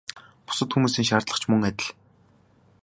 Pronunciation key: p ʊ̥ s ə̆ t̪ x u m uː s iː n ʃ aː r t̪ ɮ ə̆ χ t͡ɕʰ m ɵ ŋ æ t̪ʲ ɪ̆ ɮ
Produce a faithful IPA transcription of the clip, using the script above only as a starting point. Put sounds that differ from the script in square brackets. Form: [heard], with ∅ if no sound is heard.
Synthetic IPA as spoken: p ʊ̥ s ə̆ t̪ x u m uː s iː [ŋ] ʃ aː r t̪ ɮ ə̆ χ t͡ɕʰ m ɵ ŋ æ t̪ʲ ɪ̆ ɮ